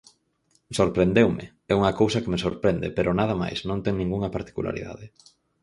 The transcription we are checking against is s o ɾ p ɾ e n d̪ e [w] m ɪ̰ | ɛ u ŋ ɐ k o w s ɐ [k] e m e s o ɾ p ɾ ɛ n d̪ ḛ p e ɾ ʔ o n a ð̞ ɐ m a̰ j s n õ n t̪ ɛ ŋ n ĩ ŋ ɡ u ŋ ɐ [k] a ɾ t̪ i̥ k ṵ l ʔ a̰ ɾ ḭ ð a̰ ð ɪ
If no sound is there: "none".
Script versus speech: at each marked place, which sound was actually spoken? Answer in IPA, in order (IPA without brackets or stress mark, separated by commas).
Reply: w, k, p